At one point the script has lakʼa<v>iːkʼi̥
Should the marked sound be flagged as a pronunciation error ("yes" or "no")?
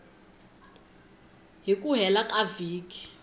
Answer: no